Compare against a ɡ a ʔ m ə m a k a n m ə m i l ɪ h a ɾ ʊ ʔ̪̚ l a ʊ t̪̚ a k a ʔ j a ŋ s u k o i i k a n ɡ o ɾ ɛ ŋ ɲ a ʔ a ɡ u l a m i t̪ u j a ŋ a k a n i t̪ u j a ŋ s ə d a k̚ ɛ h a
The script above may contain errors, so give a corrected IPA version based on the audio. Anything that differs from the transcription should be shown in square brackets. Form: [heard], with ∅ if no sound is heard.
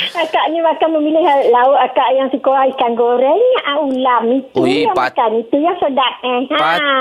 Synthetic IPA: a [k] a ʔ [ɲ] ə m a k a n m ə m i l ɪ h a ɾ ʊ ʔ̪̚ l a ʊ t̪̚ a k a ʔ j a ŋ s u k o [a] i k a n ɡ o ɾ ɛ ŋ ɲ a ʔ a [∅] u l a m i t̪ u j a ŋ a k a n i t̪ u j a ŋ s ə d a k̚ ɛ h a